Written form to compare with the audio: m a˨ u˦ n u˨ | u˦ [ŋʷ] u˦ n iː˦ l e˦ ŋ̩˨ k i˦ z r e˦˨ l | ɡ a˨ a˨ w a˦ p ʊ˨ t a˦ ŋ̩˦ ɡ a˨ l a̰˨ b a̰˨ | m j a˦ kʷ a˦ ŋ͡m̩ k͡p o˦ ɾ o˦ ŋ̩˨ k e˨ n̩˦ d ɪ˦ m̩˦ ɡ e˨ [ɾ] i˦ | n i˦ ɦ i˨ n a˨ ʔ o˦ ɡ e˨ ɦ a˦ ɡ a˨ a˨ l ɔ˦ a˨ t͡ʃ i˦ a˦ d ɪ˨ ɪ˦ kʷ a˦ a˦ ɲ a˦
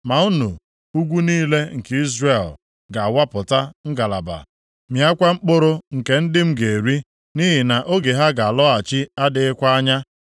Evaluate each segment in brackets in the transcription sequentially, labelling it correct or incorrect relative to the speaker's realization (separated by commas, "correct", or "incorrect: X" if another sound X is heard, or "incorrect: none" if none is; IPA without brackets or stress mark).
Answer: incorrect: ɡʷ, correct